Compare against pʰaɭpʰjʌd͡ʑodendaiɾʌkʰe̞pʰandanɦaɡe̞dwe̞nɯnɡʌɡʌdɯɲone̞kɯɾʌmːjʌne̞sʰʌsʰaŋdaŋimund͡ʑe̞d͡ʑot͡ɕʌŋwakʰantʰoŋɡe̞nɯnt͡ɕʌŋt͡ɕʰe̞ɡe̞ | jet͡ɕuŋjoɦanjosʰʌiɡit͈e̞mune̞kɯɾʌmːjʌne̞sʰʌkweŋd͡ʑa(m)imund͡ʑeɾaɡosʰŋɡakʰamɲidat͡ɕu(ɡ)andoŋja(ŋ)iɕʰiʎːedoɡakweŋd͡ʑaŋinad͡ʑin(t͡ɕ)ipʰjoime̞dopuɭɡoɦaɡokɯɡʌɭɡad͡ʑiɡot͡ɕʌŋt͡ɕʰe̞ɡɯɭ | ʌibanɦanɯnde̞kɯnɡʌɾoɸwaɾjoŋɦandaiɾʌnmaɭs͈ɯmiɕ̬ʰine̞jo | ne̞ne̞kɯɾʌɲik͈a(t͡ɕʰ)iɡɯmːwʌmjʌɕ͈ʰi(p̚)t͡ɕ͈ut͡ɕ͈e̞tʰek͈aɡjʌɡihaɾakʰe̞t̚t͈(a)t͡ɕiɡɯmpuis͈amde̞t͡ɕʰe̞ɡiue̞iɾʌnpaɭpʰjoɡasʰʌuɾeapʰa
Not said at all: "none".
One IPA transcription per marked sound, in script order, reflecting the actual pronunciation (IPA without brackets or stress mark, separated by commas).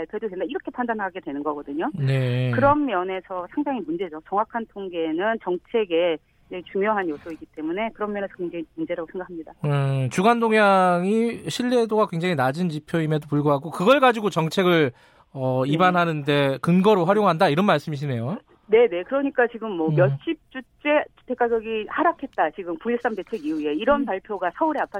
ŋ, ɡ, ŋ, t͡ɕ, t͡ɕ, p̚, a